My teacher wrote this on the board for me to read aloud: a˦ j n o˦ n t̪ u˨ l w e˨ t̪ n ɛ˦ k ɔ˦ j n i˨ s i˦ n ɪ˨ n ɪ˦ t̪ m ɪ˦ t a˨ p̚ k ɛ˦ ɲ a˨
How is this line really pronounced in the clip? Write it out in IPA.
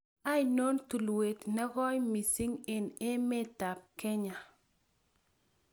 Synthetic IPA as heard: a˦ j n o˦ n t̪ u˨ l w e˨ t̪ n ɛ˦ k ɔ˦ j m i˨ s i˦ ŋ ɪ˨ n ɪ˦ m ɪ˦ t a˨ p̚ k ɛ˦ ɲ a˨